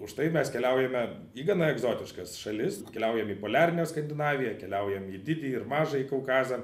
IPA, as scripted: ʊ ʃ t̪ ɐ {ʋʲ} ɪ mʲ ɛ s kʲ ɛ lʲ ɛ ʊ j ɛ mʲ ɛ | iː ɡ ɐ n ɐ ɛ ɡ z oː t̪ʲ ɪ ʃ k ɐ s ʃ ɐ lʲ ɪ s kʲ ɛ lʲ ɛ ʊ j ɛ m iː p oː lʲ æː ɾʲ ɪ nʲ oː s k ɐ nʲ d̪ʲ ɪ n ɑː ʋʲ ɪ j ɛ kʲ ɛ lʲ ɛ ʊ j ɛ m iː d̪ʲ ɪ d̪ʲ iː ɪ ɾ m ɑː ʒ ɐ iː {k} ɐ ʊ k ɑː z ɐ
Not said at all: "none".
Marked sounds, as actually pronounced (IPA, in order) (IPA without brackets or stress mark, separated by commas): none, k